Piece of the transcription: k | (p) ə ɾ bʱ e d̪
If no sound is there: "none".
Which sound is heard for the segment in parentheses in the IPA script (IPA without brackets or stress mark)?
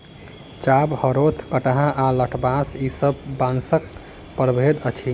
p